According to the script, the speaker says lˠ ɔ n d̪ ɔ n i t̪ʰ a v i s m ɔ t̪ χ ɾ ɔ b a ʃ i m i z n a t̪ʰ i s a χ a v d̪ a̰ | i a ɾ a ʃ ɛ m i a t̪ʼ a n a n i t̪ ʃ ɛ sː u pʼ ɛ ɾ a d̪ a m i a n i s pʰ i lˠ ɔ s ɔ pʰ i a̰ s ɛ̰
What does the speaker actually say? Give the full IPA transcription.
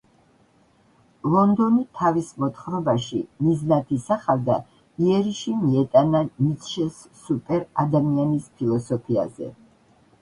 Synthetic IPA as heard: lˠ ɔ n d̪ ɔ n i t̪ʰ a v i s m ɔ t̪ χ ɾ ɔ b a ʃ i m i z n a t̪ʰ i s a χ a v d̪ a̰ | i ɛ ɾ i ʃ i m i ɛ t̪ʼ a n a n i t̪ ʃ ɛ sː u pʼ ɛ ɾ a d̪ a m i a n i s pʰ i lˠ ɔ s ɔ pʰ i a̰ z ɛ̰